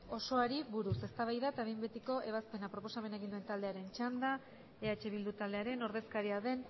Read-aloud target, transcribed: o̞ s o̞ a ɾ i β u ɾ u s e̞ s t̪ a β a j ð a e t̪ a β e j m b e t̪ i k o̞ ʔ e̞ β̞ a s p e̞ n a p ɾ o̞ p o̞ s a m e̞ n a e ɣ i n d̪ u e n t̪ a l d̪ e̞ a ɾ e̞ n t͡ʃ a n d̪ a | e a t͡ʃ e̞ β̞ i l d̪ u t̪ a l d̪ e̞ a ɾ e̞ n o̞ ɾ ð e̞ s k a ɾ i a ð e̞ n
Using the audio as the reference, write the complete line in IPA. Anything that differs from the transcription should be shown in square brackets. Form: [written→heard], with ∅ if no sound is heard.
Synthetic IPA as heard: o̞ s o̞ a ɾ i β u ɾ u s e̞ s t̪ a β a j ð a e t̪ a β e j m b e t̪ i k o̞ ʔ e̞ β̞ a s p e̞ n a p ɾ o̞ p o̞ s a m e̞ n a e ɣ i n d̪ u e n t̪ a l d̪ e̞ a ɾ e̞ n t͡ʃ a n d̪ a | e a t͡ʃ e̞ β̞ i l d̪ u t̪ a l d̪ e̞ a ɾ e̞ n o̞ ɾ ð e̞ s k a ɾ i a ð e̞ n